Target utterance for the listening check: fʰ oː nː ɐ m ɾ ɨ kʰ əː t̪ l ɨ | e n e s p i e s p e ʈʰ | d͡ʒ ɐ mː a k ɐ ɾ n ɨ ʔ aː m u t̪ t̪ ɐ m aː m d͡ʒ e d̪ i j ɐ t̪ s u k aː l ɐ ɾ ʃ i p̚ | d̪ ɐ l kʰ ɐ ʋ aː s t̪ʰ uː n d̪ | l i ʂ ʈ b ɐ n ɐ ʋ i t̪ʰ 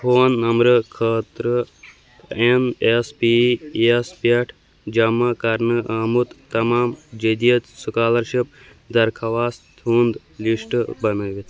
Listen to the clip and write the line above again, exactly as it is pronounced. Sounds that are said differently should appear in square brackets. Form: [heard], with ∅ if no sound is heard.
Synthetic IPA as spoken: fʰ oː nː ɐ m ɾ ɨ kʰ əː t̪ [ɾ] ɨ | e n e s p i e s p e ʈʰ | d͡ʒ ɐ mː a k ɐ ɾ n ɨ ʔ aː m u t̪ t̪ ɐ m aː m d͡ʒ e d̪ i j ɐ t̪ s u k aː l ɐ ɾ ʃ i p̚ | d̪ ɐ [ɾ] kʰ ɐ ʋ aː s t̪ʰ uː n d̪ | l i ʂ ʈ b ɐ n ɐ ʋ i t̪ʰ